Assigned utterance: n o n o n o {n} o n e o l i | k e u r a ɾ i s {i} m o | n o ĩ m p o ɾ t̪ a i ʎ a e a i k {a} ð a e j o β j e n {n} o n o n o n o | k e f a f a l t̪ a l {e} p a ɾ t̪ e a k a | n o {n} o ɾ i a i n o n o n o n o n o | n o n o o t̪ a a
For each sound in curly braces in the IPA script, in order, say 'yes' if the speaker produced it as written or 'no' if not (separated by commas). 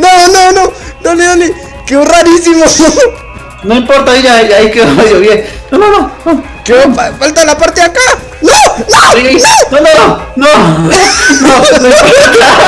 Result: yes, yes, no, yes, no, yes